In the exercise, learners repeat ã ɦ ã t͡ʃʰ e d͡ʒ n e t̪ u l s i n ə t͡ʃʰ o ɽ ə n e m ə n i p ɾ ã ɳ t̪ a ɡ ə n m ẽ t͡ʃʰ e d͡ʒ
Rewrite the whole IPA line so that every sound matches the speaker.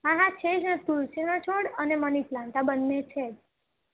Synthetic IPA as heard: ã ɦ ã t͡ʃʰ e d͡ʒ n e t̪ u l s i n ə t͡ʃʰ o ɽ ə n e m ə n i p l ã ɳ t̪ a b ə n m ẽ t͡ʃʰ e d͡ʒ